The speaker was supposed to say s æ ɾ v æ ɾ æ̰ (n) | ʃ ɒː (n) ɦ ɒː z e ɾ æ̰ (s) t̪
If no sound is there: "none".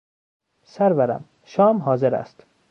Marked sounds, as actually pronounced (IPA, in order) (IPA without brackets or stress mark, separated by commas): m, m, s